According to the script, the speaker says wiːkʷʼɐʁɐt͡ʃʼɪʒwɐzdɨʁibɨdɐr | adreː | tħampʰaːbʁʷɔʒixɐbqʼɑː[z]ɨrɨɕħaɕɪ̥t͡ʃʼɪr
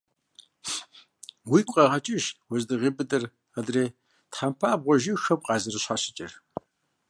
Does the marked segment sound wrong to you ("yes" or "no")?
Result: no